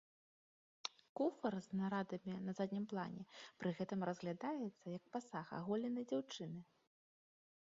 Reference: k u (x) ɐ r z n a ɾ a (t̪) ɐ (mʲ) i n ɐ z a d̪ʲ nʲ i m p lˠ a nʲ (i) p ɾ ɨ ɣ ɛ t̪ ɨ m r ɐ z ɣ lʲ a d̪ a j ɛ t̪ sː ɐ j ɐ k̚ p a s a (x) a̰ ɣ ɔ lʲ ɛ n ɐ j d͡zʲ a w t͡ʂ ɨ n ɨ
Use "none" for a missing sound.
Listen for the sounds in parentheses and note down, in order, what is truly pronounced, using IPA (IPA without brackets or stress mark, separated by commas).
f, d̪, mʲ, ɛ, x